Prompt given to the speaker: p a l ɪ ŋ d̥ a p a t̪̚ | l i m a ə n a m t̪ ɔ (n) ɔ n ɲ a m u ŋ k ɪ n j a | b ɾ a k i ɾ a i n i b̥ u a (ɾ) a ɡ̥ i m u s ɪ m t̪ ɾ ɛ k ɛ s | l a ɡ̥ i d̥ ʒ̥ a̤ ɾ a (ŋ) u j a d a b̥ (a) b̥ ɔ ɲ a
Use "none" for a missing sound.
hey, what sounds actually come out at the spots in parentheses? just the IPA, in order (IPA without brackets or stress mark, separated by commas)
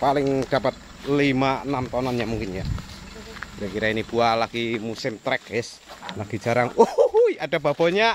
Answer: n, l, ŋ, a